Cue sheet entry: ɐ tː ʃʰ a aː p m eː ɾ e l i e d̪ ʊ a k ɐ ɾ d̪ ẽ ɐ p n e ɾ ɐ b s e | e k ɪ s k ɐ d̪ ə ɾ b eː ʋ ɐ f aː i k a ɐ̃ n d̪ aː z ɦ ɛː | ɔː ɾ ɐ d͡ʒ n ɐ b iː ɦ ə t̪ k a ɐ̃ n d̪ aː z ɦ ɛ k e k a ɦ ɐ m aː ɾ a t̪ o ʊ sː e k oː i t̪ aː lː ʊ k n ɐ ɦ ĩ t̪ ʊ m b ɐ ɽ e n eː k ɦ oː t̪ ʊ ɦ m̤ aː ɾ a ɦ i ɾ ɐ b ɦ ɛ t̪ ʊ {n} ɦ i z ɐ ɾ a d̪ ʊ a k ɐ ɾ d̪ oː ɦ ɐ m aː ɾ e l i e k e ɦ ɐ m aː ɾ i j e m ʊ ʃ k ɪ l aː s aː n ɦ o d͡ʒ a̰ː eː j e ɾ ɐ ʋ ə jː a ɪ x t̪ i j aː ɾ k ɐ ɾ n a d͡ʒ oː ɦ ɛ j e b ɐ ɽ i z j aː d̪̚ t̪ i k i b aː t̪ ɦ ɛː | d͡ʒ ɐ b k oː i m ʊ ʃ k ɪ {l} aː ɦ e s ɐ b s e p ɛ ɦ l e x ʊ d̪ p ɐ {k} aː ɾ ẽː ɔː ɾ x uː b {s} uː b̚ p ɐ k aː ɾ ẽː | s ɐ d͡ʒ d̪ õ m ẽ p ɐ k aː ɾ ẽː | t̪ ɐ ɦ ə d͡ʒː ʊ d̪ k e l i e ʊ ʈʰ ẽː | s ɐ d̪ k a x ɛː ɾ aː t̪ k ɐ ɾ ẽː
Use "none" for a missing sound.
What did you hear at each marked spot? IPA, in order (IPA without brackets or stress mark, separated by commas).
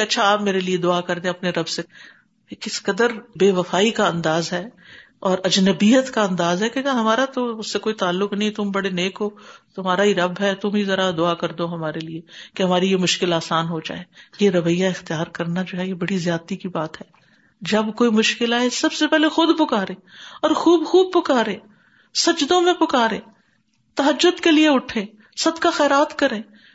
m, l, k, x